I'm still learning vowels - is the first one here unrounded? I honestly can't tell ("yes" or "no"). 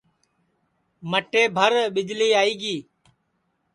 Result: yes